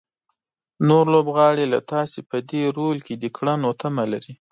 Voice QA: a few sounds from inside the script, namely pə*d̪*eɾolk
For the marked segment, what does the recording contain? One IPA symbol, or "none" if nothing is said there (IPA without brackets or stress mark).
d̪